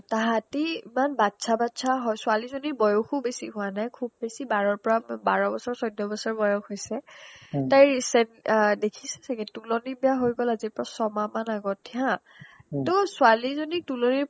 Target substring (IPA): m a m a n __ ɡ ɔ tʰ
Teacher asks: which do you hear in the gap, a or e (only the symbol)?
a